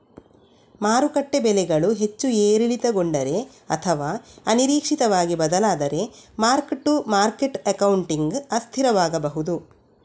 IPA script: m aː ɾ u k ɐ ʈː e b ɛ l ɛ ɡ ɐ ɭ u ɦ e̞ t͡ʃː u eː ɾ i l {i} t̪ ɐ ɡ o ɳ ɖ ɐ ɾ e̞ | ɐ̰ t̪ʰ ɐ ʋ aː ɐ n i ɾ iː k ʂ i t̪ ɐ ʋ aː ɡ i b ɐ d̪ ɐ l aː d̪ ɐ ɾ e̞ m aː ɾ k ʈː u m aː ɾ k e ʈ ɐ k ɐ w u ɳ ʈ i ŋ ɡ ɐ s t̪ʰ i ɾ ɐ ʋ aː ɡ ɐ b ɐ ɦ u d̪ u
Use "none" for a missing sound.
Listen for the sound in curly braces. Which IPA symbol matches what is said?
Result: i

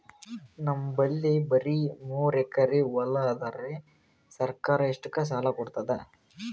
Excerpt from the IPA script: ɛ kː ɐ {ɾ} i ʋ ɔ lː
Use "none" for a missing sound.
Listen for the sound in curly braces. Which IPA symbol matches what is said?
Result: ɾ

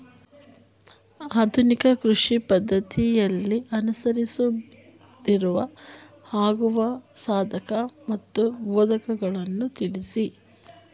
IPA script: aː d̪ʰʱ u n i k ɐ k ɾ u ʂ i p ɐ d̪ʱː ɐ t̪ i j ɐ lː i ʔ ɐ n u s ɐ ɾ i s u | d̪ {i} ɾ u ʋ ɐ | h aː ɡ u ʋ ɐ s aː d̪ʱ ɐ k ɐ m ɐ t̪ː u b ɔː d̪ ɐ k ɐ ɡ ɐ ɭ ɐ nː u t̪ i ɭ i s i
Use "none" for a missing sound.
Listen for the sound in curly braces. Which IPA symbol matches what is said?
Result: i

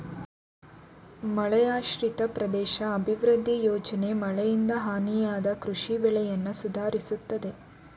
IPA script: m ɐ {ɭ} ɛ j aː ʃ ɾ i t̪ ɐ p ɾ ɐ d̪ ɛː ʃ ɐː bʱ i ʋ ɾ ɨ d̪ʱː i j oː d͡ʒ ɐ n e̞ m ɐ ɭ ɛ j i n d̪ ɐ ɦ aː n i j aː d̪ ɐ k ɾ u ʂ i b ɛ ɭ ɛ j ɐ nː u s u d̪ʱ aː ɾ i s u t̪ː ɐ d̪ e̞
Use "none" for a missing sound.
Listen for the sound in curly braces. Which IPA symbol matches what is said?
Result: ɭ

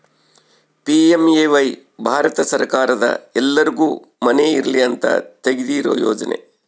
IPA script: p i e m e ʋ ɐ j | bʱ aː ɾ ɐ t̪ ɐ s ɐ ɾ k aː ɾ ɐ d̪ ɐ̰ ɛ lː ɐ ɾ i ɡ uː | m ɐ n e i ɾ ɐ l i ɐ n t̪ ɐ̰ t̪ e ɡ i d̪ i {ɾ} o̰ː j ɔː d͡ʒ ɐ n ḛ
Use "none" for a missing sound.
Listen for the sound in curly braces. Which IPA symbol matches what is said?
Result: ɾ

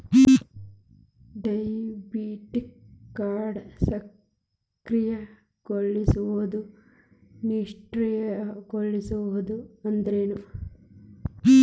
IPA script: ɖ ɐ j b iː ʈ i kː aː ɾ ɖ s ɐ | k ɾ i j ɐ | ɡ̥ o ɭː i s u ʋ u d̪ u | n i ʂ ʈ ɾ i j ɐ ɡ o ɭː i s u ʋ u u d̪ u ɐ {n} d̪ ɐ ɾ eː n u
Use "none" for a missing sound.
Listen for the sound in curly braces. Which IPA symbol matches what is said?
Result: n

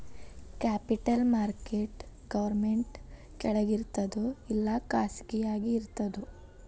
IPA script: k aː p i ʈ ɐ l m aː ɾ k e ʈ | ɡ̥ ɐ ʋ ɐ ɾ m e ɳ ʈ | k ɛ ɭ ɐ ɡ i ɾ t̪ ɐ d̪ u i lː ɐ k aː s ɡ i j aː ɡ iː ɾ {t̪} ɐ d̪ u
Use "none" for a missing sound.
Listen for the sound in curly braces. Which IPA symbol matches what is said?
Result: t̪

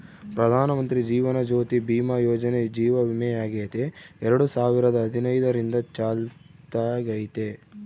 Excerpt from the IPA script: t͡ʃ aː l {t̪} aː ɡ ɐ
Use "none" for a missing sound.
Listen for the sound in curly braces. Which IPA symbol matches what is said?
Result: t̪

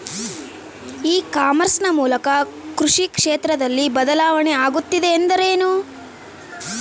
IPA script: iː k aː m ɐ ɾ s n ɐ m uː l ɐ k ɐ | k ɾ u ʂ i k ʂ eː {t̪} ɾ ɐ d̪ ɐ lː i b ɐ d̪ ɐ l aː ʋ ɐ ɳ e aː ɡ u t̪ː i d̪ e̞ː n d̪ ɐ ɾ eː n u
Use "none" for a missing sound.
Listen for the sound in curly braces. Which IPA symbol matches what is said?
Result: t̪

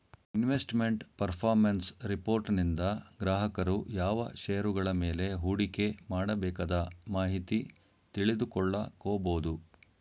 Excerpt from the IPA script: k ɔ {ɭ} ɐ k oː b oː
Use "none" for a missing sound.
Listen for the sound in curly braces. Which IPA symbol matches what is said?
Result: ɭː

